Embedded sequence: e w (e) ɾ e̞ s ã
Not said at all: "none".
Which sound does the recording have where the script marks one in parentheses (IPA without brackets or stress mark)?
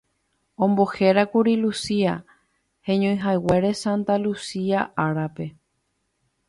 e